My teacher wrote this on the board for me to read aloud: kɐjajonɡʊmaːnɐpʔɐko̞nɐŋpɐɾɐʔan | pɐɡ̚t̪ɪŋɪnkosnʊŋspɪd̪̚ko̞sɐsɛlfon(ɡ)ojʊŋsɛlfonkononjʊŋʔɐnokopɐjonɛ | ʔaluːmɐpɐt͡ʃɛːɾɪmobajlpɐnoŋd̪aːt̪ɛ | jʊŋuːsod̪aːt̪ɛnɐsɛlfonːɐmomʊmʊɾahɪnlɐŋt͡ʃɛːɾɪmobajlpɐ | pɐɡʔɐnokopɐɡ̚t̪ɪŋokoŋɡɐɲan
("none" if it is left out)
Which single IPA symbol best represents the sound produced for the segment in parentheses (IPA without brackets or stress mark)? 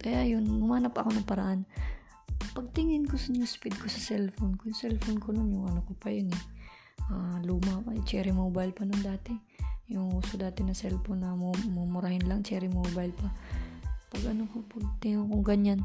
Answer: k